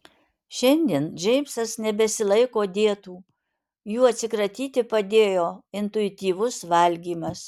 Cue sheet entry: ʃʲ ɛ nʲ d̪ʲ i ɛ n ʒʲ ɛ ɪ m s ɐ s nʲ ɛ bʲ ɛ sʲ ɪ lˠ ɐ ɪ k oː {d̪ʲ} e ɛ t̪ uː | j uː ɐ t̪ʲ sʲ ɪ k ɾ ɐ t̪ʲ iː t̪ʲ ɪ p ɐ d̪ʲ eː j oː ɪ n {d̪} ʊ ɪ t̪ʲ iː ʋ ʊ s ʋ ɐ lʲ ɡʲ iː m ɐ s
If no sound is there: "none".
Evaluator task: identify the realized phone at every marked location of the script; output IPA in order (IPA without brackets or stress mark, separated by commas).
d̪ʲ, t̪